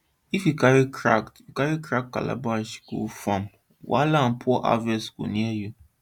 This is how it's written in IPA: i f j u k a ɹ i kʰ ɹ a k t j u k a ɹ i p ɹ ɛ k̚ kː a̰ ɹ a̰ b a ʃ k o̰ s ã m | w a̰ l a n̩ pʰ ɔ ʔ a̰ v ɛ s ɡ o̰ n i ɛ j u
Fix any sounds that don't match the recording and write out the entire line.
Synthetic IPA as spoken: i f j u k a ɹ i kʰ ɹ a k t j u k a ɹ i k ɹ a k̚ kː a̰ l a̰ b a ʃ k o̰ f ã m | w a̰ l a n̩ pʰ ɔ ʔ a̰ v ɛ s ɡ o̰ n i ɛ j u